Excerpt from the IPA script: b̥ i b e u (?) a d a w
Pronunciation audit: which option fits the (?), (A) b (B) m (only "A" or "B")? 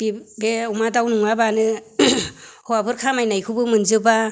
B